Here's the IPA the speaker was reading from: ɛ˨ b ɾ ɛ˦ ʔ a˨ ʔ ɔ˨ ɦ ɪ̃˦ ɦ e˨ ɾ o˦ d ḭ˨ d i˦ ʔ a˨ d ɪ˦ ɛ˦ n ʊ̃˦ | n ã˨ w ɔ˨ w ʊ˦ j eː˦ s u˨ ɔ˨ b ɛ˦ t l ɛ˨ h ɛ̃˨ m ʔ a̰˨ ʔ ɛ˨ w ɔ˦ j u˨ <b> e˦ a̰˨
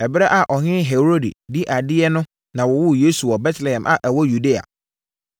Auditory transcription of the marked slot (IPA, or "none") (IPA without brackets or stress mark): d